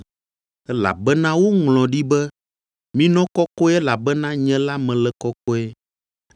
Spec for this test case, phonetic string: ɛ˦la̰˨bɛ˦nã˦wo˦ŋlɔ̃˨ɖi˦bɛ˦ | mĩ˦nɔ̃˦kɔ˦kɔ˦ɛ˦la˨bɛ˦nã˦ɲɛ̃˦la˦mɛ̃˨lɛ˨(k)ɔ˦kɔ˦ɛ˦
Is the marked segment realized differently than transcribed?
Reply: no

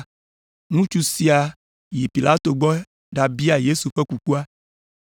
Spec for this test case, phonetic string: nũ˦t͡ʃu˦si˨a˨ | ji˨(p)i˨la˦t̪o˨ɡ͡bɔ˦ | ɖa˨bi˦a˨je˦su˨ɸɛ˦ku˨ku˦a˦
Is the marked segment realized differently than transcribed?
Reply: no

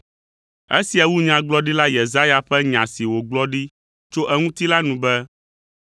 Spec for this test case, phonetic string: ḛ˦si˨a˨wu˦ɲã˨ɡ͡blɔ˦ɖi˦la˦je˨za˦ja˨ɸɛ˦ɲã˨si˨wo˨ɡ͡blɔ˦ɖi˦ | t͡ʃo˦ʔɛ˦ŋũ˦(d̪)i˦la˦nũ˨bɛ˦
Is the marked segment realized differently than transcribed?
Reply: yes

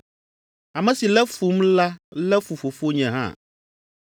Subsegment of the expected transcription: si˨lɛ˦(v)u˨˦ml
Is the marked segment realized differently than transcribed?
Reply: yes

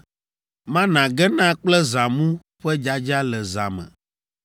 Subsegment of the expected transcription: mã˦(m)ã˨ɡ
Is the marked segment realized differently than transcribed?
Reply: yes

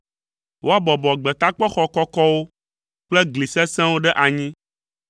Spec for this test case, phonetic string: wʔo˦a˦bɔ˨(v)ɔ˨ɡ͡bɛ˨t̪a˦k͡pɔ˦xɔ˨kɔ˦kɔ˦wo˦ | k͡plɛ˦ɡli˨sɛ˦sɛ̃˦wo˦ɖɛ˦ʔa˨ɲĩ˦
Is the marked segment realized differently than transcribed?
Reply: yes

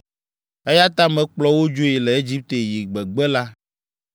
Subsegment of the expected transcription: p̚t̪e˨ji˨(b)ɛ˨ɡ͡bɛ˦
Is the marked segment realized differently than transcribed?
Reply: yes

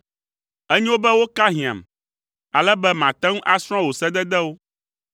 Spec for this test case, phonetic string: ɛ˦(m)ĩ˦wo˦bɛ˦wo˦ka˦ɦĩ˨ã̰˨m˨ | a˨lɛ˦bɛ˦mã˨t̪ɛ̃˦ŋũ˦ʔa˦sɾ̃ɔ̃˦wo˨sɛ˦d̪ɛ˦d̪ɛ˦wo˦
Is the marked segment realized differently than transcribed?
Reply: yes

